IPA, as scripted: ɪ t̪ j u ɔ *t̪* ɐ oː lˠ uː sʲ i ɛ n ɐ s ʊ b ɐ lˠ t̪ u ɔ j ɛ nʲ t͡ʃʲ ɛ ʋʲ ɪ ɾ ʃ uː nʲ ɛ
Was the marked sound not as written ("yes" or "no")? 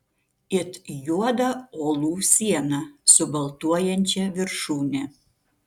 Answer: yes